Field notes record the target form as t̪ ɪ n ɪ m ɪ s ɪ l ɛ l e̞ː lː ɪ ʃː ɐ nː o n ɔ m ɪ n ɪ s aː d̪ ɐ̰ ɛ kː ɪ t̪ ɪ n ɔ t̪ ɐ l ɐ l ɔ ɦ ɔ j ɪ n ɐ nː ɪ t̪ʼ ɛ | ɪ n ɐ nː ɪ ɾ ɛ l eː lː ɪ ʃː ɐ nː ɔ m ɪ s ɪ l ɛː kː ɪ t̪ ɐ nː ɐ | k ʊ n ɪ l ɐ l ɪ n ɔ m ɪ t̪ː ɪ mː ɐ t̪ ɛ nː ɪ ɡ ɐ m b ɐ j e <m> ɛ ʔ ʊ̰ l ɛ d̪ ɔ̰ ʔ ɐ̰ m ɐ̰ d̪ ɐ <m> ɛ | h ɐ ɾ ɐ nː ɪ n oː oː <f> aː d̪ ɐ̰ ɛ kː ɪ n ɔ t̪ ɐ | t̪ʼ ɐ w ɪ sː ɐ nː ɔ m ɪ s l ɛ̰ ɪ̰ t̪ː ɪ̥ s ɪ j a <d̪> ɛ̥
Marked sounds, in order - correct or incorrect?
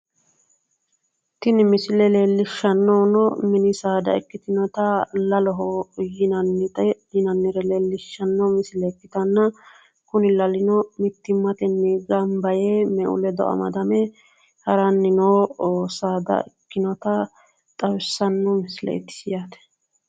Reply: correct, correct, incorrect, incorrect

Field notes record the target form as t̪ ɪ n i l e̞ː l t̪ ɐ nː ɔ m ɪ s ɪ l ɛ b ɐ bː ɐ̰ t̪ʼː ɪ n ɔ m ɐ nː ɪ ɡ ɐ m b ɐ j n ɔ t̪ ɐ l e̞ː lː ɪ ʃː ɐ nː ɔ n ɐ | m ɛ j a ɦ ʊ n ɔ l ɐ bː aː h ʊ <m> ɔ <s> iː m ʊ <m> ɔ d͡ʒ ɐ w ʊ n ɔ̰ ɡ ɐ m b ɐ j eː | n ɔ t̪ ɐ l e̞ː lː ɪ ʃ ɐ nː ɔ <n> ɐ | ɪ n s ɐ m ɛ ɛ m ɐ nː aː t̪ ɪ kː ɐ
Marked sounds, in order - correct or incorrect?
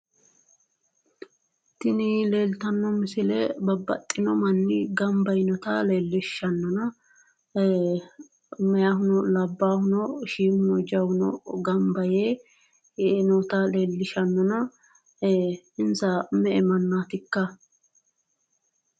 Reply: incorrect, incorrect, incorrect, correct

